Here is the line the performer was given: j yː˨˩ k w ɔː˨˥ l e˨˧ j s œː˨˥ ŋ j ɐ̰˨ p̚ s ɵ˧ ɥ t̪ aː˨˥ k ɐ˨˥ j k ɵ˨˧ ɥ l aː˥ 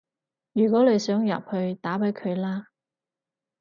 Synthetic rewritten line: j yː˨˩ k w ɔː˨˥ l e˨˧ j s œː˨˥ ŋ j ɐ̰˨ p̚ h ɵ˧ ɥ t̪ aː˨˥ p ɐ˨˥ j kʰ ɵ˨˧ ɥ l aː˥